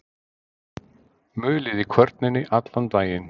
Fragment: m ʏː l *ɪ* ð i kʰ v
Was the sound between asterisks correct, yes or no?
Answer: yes